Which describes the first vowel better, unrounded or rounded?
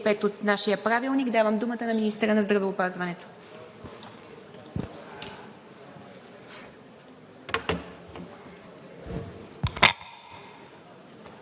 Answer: unrounded